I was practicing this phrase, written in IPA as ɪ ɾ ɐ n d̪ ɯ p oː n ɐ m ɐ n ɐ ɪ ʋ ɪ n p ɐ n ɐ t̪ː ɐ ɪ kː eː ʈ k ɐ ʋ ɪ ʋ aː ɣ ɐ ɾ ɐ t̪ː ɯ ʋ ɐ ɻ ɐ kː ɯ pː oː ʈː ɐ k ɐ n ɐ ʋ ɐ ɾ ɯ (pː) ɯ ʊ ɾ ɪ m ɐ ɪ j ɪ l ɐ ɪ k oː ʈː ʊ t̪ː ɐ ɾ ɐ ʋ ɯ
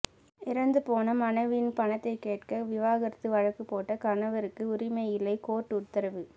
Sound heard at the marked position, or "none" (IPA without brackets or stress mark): kː